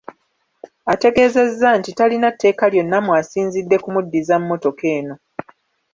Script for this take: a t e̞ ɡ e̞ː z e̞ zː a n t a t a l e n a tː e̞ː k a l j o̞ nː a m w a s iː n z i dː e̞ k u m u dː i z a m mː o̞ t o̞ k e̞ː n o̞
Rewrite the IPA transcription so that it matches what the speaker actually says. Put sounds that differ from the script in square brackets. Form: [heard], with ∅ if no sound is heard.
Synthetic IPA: a t e̞ ɡ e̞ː z e̞ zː a n t [i] t a l [i] n a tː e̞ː k a l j o̞ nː a m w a s iː n z i dː e̞ k u m u dː i z a m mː o̞ t o̞ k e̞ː n o̞